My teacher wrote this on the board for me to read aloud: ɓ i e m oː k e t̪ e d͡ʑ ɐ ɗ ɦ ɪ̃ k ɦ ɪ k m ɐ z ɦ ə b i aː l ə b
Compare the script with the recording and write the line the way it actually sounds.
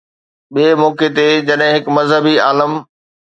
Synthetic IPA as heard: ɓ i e m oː k e t̪ e d͡ʑ ɐ ɗ ɦ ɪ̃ ɦ ɪ k m ɐ z ɦ ə b i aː l ə m